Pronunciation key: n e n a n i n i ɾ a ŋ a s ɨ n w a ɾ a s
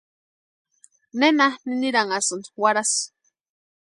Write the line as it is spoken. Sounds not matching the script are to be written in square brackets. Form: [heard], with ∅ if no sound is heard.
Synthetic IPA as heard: n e n a n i n i ɾ a ŋ a s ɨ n w a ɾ a s